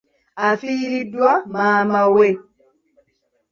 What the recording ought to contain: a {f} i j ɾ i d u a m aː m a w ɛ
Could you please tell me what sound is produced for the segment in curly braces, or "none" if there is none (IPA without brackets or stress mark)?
f